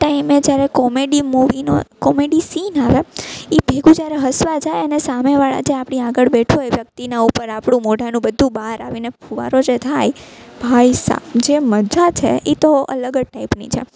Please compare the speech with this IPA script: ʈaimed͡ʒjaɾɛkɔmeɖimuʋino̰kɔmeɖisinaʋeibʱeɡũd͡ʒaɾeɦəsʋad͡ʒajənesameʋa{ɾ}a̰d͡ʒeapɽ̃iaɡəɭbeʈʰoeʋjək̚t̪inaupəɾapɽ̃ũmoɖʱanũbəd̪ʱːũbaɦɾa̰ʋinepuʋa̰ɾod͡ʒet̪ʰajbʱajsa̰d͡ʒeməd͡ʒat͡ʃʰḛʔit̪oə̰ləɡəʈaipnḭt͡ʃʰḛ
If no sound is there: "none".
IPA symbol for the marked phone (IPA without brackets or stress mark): ɭ